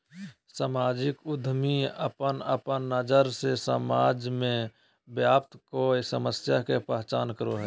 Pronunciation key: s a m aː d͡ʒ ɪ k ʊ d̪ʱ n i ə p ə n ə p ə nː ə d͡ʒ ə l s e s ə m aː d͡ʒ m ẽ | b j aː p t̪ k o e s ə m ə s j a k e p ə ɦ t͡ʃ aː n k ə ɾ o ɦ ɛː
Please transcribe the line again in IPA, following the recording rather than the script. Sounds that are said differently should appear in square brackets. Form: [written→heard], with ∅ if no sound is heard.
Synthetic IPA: s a m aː d͡ʒ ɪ k ʊ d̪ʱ [n→m] i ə p ə n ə p ə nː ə d͡ʒ ə [l→ɾ] s e s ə m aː d͡ʒ m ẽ | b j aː p t̪ k o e s ə m ə s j a k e p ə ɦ t͡ʃ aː n k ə ɾ o ɦ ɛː